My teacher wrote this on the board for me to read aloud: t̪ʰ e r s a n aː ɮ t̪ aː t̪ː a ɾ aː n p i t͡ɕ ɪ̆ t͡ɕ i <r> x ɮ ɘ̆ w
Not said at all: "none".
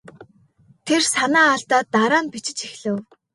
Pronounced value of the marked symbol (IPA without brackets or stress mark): none